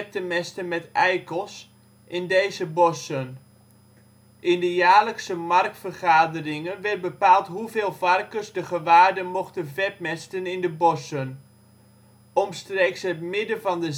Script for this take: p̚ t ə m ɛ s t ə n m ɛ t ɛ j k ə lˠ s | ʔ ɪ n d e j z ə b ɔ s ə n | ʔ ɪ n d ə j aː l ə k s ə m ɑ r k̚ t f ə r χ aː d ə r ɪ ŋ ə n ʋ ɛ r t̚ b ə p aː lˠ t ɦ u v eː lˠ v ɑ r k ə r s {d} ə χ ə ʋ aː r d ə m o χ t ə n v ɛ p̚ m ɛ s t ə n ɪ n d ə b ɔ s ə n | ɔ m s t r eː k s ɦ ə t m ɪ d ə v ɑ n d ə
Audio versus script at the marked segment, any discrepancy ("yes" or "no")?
no